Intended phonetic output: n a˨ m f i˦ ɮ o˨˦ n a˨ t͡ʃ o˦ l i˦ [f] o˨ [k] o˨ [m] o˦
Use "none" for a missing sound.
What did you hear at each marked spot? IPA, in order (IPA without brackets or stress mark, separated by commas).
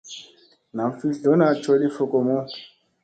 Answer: f, k, m